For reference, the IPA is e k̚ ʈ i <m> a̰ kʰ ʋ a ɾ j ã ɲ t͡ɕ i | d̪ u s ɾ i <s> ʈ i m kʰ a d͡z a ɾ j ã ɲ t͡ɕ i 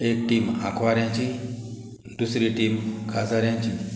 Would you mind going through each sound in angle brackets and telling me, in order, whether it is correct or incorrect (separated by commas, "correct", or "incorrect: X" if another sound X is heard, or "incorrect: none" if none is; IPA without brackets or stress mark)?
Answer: correct, incorrect: none